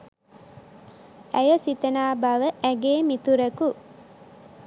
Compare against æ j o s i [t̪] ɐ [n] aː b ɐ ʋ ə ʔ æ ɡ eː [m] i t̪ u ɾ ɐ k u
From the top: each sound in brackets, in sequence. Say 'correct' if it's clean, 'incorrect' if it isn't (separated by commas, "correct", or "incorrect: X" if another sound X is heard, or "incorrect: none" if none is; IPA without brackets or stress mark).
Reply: correct, correct, correct